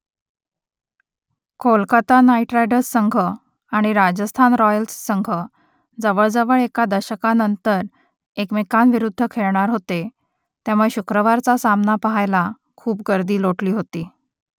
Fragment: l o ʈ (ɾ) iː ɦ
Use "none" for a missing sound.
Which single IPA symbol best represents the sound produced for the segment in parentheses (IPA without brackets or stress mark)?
l